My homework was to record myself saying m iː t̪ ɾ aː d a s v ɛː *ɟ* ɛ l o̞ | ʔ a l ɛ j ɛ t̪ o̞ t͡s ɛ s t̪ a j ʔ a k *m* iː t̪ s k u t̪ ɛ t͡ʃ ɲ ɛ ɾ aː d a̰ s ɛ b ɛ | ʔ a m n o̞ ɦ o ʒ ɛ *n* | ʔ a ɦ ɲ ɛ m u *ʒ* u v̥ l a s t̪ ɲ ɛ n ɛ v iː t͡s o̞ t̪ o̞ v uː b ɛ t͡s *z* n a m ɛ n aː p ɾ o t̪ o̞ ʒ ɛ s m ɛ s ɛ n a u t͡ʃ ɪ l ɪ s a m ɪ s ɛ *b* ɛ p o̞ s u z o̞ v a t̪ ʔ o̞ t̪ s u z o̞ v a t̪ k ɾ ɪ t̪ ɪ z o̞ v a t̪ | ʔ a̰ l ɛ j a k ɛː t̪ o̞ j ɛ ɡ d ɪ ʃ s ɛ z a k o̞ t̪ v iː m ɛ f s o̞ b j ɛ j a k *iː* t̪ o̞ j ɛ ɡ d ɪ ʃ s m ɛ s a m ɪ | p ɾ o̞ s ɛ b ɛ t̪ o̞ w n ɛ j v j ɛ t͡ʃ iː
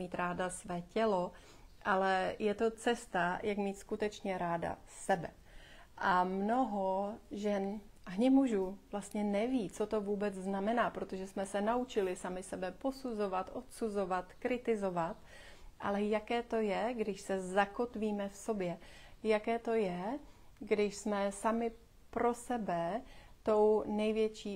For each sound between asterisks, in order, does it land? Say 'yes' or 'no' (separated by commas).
no, yes, yes, yes, yes, yes, no